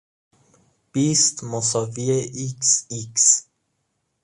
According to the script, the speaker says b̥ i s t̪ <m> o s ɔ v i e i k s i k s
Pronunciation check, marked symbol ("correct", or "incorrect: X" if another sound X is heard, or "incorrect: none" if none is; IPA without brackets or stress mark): correct